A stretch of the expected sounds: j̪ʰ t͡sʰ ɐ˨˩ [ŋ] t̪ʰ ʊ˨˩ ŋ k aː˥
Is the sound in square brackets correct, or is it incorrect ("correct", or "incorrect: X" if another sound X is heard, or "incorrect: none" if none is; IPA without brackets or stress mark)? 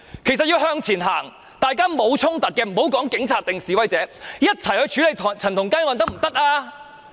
incorrect: n